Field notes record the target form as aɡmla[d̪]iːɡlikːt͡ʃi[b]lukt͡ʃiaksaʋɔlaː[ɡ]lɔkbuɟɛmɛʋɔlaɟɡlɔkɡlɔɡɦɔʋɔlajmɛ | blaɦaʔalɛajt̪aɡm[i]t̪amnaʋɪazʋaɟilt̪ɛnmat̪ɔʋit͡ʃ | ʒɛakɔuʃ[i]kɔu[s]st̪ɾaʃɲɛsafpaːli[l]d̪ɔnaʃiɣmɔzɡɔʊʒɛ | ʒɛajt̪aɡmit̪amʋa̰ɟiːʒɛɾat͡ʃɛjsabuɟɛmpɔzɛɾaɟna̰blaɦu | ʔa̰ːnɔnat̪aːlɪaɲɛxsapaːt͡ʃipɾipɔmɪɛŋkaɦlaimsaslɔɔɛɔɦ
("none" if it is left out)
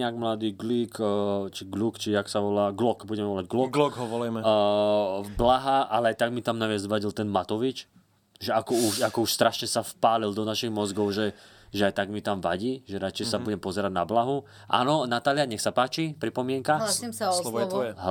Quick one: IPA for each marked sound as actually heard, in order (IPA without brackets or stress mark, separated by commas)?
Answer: d̪, ɡ, ɡ, i, a, ʃ, l